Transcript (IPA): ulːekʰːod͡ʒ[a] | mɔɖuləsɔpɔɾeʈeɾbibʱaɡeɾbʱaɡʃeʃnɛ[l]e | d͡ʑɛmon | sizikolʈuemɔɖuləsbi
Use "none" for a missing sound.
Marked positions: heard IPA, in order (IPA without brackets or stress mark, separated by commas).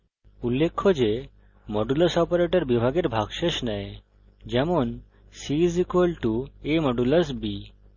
e, none